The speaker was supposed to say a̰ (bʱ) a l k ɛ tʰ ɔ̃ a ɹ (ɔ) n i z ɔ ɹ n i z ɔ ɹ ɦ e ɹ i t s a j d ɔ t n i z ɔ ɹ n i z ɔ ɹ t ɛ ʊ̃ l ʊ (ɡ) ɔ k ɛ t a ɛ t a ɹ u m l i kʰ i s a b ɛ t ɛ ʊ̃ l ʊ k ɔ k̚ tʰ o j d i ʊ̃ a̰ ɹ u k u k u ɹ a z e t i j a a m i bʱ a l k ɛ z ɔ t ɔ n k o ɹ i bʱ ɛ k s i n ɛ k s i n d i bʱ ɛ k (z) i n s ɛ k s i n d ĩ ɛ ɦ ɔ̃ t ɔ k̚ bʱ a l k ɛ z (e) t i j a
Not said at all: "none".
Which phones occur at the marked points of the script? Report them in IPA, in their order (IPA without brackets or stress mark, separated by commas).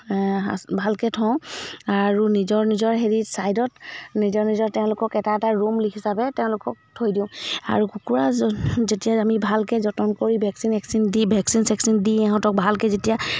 bʱ, u, k, s, e